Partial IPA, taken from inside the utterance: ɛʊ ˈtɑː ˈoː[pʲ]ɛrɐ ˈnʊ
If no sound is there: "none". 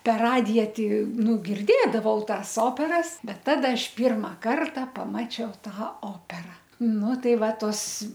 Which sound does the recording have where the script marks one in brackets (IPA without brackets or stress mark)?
pʲ